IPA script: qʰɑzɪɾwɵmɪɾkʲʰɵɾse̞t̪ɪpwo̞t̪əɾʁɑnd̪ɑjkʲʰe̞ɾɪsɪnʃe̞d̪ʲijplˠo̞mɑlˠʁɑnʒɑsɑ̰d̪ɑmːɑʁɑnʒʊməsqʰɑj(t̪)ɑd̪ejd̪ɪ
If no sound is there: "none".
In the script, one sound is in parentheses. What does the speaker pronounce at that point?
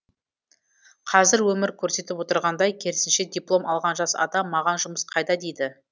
d̪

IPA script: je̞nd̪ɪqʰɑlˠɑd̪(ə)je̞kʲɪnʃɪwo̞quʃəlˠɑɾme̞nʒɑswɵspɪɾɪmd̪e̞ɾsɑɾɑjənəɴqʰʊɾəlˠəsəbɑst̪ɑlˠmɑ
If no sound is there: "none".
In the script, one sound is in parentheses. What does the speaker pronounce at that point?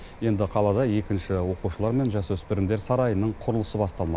ɑ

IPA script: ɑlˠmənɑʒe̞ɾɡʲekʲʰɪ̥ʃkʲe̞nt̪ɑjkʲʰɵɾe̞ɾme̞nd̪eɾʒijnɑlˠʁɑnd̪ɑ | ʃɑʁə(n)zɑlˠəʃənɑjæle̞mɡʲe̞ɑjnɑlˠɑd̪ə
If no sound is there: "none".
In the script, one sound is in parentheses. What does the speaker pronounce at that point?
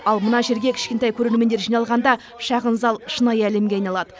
n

